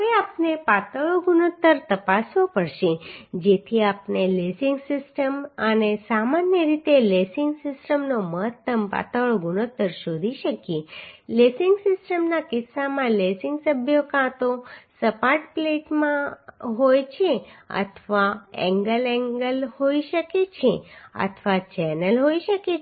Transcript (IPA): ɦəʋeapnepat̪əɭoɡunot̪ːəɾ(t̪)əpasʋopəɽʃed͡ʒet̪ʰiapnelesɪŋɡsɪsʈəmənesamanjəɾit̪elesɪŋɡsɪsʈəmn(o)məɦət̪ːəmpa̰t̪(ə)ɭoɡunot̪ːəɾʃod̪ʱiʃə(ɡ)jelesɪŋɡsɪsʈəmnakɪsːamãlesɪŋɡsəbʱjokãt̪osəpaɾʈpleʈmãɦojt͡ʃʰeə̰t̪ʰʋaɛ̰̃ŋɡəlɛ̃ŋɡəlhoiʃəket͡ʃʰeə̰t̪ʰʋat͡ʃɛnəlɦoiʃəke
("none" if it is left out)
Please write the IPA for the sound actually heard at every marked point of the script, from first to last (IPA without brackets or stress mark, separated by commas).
t̪, o, ə, k